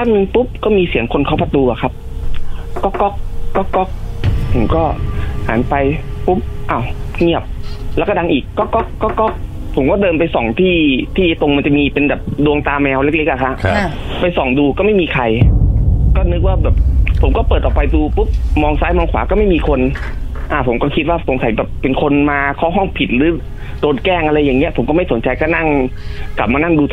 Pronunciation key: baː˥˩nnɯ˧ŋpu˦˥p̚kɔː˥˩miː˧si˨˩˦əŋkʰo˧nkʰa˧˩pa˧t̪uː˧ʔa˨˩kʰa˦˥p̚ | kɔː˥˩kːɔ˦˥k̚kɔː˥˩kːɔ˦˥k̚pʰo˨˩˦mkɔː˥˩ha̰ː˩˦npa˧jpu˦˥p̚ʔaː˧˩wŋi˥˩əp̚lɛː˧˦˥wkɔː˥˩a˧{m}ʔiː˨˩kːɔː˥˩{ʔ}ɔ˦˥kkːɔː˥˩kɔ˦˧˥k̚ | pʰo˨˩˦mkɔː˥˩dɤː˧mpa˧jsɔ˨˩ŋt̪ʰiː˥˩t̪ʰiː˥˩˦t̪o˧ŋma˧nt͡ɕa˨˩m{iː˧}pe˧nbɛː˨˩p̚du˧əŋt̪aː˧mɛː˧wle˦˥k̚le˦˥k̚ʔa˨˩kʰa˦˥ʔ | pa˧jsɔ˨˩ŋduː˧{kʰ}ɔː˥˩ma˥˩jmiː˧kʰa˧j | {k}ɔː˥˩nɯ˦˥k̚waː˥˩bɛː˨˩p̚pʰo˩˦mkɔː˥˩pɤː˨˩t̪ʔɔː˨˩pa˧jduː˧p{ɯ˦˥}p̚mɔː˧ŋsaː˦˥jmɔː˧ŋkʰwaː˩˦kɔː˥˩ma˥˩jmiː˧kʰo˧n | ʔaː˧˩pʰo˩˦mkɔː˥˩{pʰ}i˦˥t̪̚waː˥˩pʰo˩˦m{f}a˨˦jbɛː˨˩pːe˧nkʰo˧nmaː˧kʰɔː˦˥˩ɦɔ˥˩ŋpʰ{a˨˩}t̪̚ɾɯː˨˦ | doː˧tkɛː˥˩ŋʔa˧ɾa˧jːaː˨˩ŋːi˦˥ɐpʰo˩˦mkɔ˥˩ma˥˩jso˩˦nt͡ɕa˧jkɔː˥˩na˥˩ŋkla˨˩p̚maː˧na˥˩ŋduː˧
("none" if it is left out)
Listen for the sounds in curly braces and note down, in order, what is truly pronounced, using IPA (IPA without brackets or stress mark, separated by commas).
ŋ, k, iː˧, k, k, u˦˥, kʰ, s, i˨˩